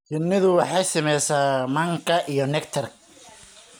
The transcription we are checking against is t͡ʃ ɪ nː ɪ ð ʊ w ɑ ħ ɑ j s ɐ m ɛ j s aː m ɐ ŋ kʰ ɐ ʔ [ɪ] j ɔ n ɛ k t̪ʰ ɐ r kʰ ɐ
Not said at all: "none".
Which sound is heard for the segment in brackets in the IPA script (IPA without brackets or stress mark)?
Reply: i